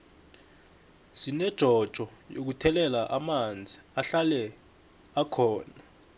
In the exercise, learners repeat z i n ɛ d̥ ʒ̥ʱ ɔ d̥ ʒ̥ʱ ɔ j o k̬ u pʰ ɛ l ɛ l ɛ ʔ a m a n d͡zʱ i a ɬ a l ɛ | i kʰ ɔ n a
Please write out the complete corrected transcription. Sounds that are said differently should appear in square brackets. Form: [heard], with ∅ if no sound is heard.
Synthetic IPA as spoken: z i n ɛ d̥ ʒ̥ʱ ɔ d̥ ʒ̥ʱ ɔ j o k̬ u [tʰ] ɛ l ɛ l [a] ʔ a m a n d͡zʱ i a ɬ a l ɛ | [a] kʰ [ɔː] n a

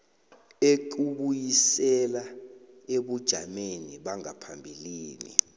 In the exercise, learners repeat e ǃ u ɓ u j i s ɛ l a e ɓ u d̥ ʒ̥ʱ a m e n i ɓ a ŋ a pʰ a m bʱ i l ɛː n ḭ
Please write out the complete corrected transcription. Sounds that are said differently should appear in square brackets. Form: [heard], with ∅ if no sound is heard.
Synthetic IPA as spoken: e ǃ u ɓ u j i s ɛ l a e ɓ u d̥ ʒ̥ʱ a m e n i ɓ a ŋ a pʰ a m bʱ i l [iː] n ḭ

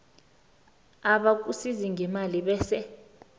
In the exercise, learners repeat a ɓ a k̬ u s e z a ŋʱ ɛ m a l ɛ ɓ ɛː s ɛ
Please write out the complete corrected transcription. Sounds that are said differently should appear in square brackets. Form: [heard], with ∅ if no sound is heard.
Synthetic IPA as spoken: a ɓ a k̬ u s [i] z [i] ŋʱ ɛ m a l [i] ɓ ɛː s ɛ

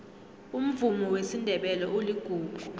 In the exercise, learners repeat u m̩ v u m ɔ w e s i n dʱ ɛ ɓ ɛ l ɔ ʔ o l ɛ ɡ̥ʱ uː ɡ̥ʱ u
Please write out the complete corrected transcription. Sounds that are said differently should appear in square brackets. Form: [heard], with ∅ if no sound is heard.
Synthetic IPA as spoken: u m̩ v u m ɔ w e s i n dʱ ɛ ɓ ɛ l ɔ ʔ o l [i] ɡ̥ʱ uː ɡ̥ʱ u

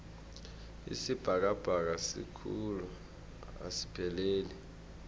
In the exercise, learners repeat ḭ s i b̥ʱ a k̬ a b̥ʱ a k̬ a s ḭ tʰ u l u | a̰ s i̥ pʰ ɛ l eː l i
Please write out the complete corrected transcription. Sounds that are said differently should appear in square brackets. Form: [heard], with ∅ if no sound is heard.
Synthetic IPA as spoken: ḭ s i b̥ʱ a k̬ a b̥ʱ a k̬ a s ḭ [kʰ] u l u | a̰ s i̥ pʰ ɛ l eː l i

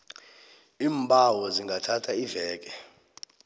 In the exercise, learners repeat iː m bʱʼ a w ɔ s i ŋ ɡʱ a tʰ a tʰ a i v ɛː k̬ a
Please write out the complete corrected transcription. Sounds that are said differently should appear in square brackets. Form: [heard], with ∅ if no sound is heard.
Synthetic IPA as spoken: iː m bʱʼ a w ɔ [z] i ŋ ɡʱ a tʰ a tʰ a i v ɛː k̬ [ɛ]

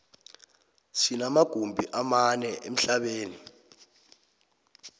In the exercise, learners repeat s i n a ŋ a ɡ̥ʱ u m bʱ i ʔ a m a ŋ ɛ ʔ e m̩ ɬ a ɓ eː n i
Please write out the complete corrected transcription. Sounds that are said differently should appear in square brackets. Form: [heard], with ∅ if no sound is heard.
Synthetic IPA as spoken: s i n a [m] a ɡ̥ʱ u m bʱ i ʔ a m a [n] ɛ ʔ e m̩ ɬ a ɓ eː n i

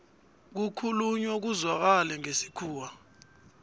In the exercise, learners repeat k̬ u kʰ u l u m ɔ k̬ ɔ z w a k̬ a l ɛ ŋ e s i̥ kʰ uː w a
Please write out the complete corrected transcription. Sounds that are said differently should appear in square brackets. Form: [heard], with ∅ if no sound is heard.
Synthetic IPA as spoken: k̬ u kʰ u l u [ɲ] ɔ k̬ [u] z w a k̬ a l ɛ ŋ e s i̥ kʰ uː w a

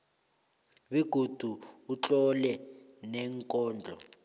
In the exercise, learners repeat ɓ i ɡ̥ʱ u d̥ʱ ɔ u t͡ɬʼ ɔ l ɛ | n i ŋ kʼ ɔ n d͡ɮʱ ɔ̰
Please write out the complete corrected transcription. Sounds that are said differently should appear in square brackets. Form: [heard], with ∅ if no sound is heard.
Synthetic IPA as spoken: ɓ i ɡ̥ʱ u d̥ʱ [u] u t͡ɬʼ ɔ l ɛ | n [ɛ] ŋ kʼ [ɔː] n d͡ɮʱ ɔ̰

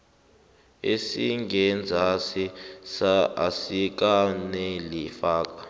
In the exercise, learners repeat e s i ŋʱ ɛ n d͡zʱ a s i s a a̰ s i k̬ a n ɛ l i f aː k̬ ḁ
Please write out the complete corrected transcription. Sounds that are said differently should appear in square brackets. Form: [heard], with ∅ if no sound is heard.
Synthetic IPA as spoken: e s i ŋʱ ɛ n d͡zʱ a s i s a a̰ s i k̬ a n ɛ l i f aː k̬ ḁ

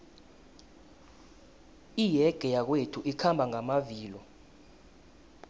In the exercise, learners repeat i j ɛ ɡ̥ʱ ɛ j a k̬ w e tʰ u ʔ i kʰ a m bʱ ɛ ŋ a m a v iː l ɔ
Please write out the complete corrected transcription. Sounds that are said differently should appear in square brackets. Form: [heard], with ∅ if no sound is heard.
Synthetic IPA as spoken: i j ɛ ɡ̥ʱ ɛ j a k̬ w e tʰ u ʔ i kʰ a m bʱ [a] ŋ a m a v iː l ɔ

